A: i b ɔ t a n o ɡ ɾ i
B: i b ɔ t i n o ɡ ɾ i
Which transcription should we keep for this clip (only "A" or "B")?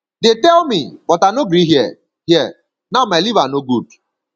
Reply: A